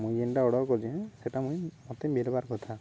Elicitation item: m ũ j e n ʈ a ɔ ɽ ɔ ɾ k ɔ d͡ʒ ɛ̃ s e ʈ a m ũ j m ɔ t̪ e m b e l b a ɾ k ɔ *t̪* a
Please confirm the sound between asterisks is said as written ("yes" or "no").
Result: no